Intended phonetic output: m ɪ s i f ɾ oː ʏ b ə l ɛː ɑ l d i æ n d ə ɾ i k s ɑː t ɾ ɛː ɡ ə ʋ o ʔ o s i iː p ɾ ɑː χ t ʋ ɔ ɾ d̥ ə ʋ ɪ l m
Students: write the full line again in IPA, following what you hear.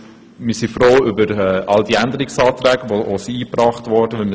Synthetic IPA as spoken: m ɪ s i f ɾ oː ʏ b ə ɾ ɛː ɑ l d i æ n d ə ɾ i k s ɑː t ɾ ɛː ɡ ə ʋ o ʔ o s i iː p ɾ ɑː χ t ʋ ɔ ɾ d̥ ə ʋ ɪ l m